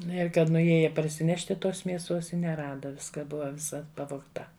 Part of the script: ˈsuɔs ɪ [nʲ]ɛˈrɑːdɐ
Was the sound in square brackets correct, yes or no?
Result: yes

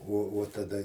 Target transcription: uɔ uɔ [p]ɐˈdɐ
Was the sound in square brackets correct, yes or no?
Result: no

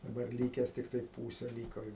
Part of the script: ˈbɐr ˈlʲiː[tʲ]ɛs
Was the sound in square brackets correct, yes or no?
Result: no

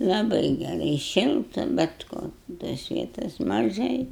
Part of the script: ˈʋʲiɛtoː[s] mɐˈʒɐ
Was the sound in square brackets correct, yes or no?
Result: yes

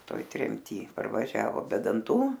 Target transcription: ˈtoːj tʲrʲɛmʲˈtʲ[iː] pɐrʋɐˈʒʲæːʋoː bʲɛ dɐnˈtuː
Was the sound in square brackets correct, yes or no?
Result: yes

